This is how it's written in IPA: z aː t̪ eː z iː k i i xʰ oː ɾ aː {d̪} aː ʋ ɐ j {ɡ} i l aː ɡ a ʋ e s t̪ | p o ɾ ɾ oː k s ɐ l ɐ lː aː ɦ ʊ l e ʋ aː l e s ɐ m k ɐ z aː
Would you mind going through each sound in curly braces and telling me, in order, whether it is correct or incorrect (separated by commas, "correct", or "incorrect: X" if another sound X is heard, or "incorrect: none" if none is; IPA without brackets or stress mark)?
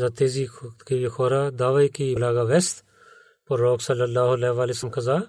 correct, incorrect: k